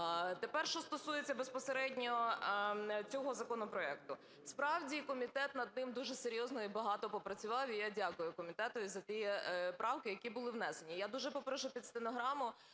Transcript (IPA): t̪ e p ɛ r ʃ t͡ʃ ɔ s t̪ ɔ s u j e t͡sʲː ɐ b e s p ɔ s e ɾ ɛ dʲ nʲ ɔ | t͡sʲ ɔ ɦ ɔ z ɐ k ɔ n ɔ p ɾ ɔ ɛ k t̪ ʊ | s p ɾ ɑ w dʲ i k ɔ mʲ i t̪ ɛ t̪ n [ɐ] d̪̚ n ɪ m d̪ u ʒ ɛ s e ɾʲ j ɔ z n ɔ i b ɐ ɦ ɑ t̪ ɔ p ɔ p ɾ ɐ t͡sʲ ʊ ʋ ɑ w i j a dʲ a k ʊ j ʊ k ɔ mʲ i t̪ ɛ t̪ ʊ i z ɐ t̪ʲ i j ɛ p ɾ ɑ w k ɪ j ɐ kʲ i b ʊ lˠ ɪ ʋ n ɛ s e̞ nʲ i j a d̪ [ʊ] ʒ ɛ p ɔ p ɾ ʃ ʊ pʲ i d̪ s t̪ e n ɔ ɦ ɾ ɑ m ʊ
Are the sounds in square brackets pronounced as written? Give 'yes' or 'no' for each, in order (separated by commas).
yes, no